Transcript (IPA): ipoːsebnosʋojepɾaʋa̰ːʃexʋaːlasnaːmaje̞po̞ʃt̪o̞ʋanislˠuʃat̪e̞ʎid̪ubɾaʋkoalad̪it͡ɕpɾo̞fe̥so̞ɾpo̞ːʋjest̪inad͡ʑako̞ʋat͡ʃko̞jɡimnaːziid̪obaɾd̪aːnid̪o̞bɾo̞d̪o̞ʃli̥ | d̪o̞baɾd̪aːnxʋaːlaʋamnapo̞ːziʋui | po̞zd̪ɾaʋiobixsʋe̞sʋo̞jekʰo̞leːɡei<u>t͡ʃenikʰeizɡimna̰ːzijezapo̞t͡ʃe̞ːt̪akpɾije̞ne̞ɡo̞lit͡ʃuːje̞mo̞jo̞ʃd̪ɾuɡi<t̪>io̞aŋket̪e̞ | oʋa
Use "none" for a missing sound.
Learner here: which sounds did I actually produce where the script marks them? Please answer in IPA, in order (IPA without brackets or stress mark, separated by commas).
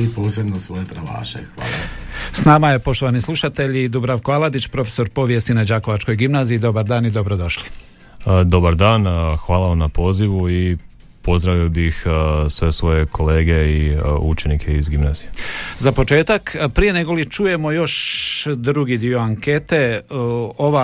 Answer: u, d̪